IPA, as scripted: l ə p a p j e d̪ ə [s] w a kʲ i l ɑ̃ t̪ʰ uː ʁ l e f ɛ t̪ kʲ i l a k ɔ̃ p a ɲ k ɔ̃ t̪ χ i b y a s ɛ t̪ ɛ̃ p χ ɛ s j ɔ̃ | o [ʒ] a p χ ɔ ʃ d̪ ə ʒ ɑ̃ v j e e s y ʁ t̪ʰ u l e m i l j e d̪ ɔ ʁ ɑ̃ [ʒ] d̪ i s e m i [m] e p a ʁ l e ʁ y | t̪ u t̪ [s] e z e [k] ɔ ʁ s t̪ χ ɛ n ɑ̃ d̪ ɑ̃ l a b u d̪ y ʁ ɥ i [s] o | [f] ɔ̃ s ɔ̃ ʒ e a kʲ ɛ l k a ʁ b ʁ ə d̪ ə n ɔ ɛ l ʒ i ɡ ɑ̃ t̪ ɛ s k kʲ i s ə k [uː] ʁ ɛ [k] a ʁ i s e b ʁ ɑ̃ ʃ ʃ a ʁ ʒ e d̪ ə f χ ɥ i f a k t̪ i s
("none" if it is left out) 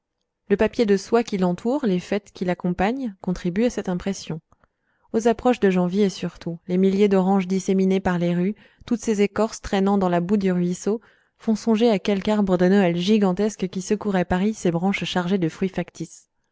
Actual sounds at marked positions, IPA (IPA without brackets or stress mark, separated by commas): s, z, ʒ, n, s, k, s, f, u, p